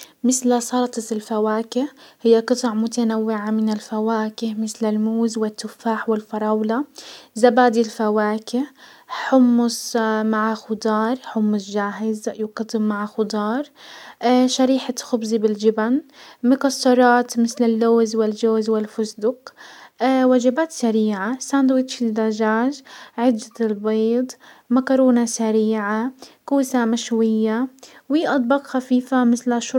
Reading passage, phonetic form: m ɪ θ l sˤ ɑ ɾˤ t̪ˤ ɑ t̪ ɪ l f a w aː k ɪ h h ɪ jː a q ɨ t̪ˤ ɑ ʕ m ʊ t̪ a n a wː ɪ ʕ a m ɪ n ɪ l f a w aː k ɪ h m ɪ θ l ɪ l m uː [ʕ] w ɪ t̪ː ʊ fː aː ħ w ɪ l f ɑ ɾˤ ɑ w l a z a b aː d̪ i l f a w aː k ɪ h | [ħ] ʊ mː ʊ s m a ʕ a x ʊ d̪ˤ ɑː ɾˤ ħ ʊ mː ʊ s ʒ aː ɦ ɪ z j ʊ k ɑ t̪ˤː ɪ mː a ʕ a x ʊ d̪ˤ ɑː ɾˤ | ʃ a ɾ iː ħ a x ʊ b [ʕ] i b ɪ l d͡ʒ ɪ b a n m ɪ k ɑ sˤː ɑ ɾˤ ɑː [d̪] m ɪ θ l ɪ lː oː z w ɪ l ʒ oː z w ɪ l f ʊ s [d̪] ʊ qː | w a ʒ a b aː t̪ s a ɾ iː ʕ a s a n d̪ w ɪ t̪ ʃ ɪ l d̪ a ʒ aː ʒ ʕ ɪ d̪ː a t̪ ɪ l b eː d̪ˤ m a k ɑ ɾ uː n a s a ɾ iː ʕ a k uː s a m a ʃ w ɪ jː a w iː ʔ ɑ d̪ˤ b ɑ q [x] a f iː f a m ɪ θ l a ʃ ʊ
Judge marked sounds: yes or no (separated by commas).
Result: no, yes, no, no, yes, yes